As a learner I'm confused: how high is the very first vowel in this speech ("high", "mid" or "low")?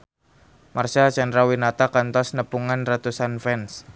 low